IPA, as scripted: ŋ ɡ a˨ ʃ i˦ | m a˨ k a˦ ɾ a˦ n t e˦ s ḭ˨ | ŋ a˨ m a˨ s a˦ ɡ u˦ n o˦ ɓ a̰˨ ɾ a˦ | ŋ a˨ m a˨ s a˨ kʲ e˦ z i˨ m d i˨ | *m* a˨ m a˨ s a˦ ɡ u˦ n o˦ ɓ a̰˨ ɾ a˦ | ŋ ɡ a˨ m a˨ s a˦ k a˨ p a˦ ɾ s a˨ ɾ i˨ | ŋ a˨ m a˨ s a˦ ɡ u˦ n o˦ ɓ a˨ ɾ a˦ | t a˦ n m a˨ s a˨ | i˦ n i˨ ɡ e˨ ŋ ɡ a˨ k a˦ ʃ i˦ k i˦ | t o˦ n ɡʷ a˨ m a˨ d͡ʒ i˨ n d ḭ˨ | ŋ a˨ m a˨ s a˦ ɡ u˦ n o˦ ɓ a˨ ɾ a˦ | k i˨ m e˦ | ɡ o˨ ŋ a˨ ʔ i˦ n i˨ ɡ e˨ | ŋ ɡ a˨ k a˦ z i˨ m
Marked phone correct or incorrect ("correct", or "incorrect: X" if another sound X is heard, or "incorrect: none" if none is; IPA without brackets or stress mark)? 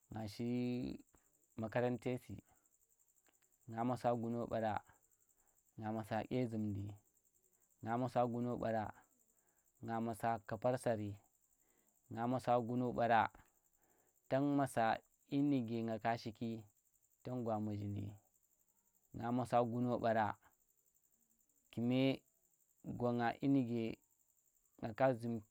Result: incorrect: ŋ